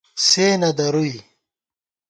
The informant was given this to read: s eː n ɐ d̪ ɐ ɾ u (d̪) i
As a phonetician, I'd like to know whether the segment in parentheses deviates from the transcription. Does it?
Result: yes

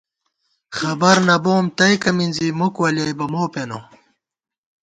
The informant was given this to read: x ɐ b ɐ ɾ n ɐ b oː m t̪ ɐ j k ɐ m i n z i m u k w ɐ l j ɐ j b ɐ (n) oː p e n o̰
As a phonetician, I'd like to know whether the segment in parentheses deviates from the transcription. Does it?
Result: yes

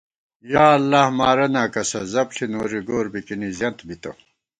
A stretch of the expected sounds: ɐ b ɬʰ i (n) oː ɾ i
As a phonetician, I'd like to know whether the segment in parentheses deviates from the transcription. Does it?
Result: no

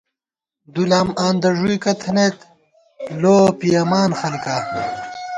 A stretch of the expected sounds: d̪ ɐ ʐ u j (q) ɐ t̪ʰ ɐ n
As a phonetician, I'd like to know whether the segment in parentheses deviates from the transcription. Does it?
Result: yes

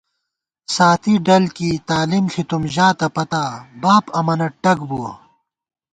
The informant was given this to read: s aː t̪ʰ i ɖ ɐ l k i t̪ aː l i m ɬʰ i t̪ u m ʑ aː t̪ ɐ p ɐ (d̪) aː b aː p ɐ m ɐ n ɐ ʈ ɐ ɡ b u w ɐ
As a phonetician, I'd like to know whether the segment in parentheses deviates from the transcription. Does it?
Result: yes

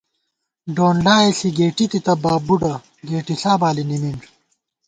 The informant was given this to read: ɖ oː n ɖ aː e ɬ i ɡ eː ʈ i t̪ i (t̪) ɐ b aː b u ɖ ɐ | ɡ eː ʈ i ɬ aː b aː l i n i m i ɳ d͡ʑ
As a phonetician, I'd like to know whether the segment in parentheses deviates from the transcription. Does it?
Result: no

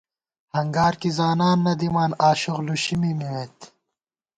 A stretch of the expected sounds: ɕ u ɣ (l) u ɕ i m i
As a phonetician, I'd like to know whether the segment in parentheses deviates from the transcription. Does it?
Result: no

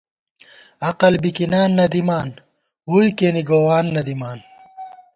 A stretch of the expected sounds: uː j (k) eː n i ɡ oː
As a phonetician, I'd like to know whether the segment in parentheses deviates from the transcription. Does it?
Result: no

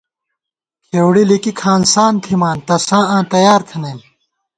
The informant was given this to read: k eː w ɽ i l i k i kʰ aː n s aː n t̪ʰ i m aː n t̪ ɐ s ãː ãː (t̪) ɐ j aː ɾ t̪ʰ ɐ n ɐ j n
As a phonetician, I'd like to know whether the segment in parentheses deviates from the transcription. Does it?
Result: no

